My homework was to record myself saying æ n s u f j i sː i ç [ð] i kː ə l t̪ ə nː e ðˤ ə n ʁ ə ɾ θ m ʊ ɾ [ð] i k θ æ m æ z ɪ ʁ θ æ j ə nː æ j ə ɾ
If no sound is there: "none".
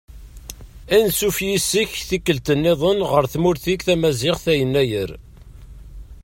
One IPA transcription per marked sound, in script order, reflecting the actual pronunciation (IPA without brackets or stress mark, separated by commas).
θ, θ